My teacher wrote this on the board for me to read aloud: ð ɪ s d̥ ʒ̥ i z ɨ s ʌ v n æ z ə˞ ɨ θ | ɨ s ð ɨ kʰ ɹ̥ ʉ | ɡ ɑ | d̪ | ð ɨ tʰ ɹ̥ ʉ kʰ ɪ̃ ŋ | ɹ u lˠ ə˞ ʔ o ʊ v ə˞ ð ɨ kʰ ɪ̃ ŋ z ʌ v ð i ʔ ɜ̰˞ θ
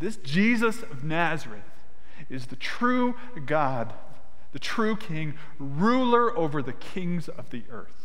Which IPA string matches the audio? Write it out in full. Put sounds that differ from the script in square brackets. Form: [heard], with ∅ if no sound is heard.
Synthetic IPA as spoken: ð ɪ s d̥ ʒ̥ i z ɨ s ʌ v n æ z ə˞ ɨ θ | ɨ [z] ð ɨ [tʰ] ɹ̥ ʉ | ɡ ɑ | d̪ | ð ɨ tʰ ɹ̥ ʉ kʰ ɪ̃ ŋ | ɹ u lˠ ə˞ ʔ o ʊ v ə˞ ð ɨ kʰ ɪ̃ ŋ z ʌ v ð i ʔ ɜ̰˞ θ